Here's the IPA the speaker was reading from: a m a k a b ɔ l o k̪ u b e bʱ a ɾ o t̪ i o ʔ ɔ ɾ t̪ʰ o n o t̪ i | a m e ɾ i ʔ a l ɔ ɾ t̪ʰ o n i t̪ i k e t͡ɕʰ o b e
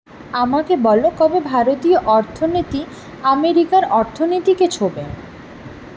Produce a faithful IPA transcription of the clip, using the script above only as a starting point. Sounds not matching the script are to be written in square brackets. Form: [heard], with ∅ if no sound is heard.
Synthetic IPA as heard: a m a k [e] b ɔ l o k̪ [ɔ] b e bʱ a ɾ o t̪ i o ʔ ɔ ɾ t̪ʰ o n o t̪ i | a m e ɾ i [k] a [ɾ] ɔ ɾ t̪ʰ o n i t̪ i k e t͡ɕʰ o b e